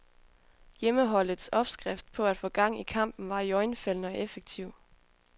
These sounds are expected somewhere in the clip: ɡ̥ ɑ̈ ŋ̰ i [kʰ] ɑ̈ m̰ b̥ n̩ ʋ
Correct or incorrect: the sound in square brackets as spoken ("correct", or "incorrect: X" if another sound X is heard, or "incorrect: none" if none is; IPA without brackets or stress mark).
correct